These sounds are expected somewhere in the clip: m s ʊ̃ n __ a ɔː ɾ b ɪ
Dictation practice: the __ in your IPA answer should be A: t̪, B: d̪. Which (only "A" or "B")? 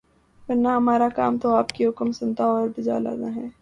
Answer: A